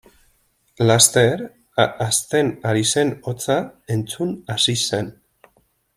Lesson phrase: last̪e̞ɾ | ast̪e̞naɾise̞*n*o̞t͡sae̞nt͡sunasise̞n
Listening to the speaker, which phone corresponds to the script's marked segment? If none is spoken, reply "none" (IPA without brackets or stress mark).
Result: n